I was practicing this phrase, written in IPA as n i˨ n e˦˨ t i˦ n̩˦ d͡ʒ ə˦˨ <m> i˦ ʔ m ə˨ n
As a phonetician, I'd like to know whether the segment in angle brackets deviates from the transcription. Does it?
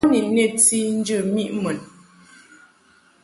no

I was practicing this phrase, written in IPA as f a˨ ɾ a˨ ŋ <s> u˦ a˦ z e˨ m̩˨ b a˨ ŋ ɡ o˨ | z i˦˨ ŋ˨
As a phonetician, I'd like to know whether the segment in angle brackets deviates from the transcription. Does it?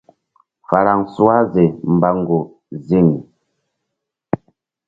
no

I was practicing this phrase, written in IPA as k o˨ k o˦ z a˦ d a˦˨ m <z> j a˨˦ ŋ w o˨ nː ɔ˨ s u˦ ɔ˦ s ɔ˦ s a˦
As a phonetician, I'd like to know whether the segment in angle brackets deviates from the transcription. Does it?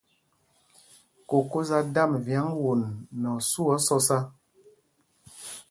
yes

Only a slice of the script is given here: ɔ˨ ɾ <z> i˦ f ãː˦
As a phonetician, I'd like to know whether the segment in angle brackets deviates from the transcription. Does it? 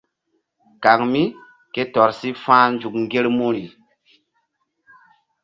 yes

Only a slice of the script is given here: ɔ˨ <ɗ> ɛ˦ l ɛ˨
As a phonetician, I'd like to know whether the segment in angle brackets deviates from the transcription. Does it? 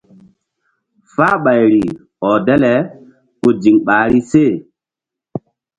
yes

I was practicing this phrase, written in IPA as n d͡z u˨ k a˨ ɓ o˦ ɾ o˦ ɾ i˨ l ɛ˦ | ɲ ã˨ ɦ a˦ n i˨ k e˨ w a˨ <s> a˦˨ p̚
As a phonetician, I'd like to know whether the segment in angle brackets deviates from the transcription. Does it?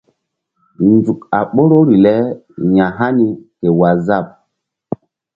yes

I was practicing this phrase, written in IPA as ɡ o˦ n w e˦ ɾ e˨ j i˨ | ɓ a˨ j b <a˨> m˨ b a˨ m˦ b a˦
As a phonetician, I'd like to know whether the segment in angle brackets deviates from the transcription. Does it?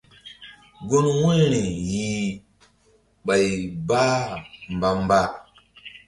yes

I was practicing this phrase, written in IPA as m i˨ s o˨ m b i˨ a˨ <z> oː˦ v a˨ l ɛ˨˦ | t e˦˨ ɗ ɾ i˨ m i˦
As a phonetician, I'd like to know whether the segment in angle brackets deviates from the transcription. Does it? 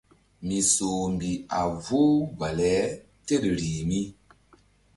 yes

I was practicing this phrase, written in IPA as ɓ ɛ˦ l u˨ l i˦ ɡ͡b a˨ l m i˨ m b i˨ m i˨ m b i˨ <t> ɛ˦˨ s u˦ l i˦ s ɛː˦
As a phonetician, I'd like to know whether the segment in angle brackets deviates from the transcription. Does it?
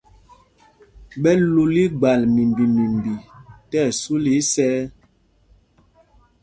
no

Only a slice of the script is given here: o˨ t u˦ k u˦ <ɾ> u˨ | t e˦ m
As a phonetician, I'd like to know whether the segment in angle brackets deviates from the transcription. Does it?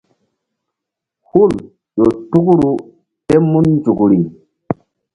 no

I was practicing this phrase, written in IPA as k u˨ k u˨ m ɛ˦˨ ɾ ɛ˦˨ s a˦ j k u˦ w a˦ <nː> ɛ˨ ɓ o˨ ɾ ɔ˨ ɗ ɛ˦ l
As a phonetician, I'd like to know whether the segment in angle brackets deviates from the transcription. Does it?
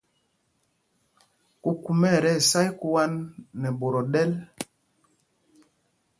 no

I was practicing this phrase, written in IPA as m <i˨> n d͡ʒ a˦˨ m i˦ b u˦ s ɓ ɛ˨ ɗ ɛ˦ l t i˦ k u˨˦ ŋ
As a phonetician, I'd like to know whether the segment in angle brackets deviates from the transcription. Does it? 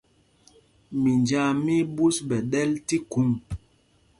no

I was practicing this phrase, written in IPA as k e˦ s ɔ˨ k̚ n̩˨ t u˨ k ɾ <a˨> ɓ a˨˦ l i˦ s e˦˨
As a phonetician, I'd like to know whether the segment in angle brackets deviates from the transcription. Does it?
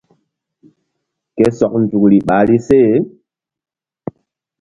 yes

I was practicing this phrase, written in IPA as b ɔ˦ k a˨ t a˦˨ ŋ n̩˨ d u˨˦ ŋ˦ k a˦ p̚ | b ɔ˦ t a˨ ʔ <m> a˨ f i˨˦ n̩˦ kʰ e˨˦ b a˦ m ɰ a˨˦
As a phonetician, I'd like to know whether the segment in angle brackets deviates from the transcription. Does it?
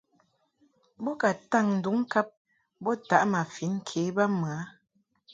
no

